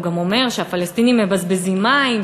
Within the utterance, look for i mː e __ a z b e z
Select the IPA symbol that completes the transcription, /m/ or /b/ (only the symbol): b